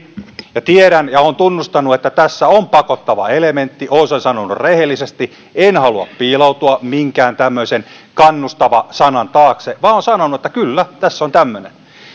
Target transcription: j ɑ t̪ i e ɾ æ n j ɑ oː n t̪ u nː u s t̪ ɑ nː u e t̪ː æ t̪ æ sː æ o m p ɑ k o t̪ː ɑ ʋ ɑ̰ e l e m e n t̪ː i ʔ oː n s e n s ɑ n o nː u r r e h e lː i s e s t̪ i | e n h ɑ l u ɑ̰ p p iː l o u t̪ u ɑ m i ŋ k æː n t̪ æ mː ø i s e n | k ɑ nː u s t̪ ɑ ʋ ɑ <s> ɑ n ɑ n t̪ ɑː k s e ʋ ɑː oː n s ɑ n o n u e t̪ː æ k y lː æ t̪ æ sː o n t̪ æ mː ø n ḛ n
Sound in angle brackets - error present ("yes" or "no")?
no